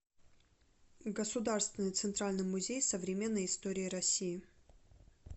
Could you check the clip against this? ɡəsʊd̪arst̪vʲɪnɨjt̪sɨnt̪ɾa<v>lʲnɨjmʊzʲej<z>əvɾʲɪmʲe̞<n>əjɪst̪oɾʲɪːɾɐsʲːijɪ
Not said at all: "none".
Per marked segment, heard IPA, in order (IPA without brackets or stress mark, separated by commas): none, s, nː